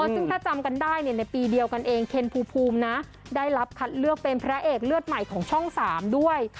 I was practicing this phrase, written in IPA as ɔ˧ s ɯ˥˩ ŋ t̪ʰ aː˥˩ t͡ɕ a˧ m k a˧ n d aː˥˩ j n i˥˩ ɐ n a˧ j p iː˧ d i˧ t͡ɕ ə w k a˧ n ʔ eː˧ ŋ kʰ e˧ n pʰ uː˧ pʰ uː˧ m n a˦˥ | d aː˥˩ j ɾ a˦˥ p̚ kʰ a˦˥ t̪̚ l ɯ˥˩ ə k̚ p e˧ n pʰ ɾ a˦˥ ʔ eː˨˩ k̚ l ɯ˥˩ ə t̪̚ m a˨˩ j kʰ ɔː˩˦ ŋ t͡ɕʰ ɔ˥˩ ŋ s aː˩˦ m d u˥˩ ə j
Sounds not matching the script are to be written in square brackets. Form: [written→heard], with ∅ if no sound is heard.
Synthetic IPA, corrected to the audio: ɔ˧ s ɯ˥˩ ŋ t̪ʰ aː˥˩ t͡ɕ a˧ m k a˧ n d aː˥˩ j n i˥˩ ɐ n a˧ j p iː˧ d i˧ [t͡ɕ→∅] ə w k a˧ n ʔ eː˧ ŋ kʰ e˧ n pʰ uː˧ pʰ uː˧ m n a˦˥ | d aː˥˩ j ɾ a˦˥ p̚ kʰ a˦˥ t̪̚ l ɯ˥˩ ə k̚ p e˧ n pʰ ɾ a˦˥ ʔ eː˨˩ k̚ l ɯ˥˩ ə t̪̚ m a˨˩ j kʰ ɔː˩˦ ŋ t͡ɕʰ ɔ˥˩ ŋ s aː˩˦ m d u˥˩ ə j